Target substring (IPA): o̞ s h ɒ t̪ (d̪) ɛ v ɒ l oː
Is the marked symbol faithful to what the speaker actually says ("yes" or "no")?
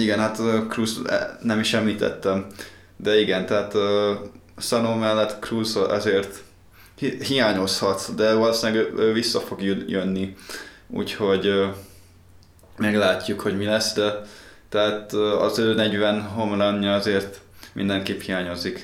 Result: yes